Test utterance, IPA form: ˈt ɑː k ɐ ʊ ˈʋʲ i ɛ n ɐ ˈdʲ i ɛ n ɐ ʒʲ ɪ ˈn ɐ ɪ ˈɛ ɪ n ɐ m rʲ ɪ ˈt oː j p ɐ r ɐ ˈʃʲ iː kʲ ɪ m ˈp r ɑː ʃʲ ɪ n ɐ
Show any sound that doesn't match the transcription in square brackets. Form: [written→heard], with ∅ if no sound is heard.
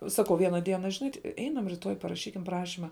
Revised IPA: [ˈt→ˈs] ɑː k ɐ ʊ ˈʋʲ i ɛ n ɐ ˈdʲ i ɛ n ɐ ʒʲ ɪ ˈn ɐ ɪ ˈɛ ɪ n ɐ m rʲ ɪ ˈt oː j p ɐ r ɐ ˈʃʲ iː kʲ ɪ m ˈp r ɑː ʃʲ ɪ [n→m] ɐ